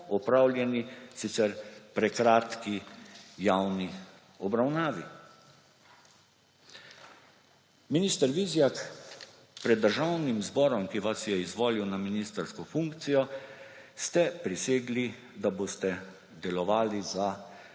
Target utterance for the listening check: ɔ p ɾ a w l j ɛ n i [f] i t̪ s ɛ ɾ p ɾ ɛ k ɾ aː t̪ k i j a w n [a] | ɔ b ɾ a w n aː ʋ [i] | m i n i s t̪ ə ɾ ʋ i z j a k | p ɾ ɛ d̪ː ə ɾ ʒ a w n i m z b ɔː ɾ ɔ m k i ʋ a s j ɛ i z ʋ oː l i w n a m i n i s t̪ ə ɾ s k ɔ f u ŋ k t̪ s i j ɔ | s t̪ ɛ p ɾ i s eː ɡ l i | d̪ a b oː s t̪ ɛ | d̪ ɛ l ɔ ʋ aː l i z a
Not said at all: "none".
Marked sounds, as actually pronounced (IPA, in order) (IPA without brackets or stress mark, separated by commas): s, i, i